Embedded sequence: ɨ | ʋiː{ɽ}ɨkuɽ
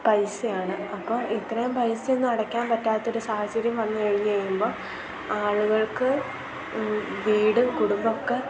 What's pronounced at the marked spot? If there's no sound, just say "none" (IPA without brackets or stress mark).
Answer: ɽ